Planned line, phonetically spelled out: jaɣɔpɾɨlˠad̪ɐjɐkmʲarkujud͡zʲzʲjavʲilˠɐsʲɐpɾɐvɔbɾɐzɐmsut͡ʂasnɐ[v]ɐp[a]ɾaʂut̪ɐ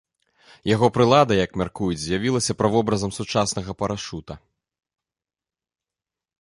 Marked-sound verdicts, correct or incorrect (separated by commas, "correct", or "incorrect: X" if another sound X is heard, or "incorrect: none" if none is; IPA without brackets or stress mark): incorrect: ɣ, incorrect: ɐ